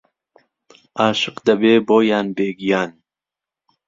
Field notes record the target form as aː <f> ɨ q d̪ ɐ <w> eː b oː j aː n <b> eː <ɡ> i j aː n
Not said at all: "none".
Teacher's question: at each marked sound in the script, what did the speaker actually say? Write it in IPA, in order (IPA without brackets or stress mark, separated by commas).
ʃ, b, b, ɡ